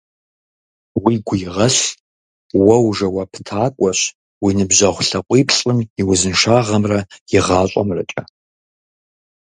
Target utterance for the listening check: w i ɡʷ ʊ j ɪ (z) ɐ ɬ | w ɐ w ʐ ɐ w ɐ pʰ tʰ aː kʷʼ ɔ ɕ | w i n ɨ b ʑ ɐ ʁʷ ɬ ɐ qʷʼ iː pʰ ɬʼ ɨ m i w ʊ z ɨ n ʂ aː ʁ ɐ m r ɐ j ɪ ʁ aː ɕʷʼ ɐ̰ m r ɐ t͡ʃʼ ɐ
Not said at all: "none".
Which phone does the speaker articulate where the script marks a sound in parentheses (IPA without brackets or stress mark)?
ʁ